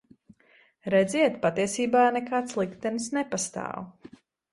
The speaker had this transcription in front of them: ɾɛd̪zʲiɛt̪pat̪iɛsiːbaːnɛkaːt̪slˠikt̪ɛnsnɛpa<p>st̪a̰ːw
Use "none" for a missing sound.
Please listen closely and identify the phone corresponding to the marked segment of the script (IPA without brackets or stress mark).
none